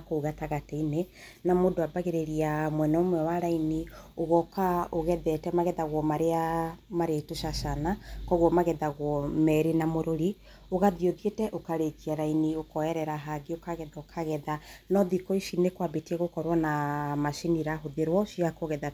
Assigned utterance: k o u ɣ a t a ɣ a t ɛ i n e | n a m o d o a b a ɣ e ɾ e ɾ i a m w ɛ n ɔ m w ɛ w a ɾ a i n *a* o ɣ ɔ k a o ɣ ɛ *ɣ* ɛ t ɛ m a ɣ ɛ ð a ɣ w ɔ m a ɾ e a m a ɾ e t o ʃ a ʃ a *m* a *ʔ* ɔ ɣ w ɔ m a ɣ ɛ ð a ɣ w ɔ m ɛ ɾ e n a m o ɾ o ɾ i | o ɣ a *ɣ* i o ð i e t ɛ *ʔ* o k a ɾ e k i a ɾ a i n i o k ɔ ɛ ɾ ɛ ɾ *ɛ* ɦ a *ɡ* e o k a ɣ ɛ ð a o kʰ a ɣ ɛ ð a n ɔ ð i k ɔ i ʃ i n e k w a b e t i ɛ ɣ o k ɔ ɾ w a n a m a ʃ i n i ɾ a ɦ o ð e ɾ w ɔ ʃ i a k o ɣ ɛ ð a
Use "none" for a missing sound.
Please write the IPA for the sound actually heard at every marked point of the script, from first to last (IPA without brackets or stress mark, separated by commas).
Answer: i, ð, n, k, ð, ʔ, a, ɡ